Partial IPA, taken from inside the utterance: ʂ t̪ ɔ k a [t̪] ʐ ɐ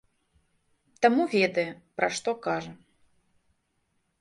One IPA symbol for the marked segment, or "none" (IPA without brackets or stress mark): none